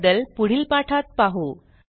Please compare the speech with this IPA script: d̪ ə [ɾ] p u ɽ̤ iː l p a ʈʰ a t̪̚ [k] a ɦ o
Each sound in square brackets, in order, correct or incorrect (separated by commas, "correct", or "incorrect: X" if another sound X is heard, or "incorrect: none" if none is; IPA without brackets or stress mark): incorrect: l, incorrect: p